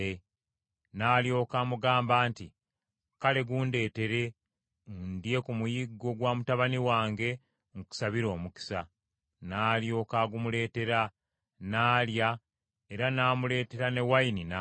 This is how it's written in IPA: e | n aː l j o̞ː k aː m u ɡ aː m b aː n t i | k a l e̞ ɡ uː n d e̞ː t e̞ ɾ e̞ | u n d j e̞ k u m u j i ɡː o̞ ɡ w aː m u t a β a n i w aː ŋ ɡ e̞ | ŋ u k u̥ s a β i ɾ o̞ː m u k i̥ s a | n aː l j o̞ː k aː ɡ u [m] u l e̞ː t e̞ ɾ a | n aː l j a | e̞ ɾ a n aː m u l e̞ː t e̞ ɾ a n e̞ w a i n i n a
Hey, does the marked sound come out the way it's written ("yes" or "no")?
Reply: yes